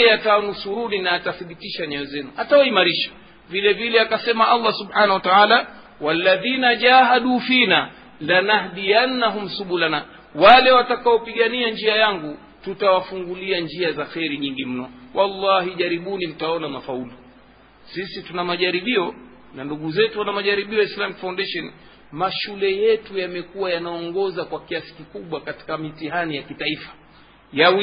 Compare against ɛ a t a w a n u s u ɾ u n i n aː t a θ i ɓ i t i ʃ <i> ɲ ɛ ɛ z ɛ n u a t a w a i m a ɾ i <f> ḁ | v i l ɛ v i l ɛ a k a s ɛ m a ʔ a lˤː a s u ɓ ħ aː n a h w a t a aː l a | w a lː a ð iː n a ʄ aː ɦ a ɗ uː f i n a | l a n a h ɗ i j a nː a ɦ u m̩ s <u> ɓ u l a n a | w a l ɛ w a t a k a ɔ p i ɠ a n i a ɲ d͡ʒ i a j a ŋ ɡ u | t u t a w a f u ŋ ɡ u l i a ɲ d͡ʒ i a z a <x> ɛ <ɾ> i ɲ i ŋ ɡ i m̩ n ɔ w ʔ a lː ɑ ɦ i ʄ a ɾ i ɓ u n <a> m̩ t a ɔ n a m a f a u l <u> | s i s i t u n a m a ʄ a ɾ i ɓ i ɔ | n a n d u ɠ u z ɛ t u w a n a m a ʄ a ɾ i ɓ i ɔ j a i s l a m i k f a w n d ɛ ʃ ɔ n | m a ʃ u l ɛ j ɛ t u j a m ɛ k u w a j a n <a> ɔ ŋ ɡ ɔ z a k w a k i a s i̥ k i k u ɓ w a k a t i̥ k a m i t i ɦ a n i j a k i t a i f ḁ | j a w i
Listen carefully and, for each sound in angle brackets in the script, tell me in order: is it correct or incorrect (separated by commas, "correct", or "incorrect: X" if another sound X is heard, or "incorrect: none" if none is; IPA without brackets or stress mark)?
incorrect: a, incorrect: ʃ, correct, correct, correct, incorrect: i, correct, correct